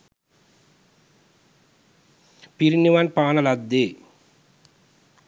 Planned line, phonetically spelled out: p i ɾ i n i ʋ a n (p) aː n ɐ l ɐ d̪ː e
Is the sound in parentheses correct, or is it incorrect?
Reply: correct